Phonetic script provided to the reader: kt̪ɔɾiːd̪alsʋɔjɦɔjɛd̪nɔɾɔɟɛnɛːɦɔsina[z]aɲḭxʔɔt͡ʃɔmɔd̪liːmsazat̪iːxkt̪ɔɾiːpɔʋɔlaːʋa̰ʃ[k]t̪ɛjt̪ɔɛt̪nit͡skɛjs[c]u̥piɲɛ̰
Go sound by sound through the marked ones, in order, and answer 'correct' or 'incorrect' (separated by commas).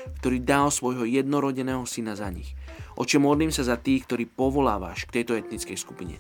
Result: correct, correct, incorrect